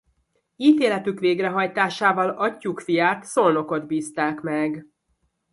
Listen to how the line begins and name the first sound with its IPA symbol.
iː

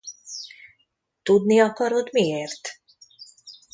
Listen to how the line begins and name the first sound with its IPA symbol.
t̪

